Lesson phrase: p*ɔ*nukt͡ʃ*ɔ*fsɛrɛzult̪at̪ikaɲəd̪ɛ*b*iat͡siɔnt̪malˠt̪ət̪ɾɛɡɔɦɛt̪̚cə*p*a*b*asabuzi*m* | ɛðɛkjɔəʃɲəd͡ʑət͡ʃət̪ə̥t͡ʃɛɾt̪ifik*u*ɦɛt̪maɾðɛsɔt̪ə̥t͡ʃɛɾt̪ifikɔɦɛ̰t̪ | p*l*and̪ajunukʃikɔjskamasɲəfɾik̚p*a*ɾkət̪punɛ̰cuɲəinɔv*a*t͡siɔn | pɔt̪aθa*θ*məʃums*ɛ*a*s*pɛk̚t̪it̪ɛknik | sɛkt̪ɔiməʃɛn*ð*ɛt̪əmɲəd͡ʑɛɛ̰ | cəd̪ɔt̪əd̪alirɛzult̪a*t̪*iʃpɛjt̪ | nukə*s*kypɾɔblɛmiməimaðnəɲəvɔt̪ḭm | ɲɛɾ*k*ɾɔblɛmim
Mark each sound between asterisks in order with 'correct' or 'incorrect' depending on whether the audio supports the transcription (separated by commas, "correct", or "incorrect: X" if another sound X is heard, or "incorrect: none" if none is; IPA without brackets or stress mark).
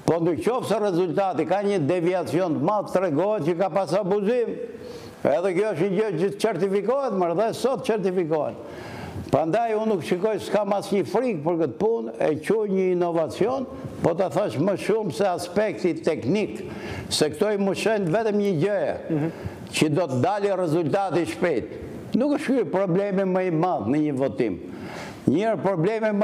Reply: correct, correct, incorrect: v, incorrect: k, incorrect: p, correct, incorrect: ɔ, incorrect: ɾ, incorrect: ə, correct, incorrect: ʃ, correct, correct, incorrect: v, correct, incorrect: ʃ, incorrect: p